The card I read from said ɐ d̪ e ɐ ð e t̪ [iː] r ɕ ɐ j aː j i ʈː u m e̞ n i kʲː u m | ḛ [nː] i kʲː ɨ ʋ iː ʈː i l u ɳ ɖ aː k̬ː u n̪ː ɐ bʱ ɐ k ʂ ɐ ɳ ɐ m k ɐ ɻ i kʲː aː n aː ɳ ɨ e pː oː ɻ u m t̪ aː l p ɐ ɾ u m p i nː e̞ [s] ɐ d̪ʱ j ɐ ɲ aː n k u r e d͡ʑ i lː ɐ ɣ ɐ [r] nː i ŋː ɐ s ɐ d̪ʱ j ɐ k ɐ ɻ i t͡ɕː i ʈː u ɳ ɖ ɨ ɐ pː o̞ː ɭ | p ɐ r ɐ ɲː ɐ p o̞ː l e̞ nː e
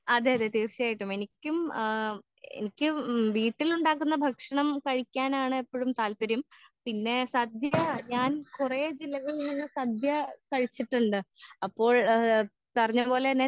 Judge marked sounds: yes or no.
yes, no, yes, no

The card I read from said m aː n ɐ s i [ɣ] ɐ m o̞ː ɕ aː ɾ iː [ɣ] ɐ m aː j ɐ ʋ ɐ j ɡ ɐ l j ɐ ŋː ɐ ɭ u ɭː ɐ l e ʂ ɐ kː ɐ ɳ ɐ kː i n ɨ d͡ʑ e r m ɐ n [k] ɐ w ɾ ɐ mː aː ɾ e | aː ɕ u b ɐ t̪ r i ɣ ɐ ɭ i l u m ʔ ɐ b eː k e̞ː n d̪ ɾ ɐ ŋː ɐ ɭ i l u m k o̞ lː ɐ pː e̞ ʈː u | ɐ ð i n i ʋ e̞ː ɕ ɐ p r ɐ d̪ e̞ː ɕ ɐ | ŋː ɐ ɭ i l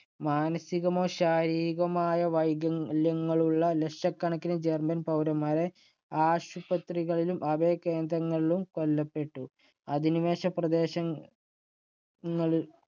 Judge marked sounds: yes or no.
yes, yes, no

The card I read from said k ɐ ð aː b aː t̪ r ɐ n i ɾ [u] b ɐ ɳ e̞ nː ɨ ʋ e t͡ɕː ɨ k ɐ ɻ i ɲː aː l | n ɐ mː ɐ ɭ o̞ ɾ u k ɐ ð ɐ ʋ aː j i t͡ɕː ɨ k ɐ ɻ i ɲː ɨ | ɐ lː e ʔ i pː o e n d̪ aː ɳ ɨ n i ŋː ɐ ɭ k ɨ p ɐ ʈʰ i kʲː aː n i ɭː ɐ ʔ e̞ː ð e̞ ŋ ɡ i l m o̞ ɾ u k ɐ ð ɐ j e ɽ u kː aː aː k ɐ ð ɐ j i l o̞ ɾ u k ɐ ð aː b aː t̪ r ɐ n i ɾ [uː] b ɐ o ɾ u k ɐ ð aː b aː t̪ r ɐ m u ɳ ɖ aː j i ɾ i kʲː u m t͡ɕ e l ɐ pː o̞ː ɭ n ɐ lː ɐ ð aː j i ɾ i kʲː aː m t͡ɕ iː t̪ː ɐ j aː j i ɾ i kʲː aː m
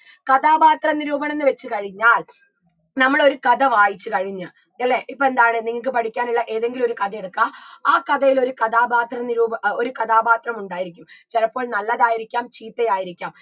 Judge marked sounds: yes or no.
no, yes

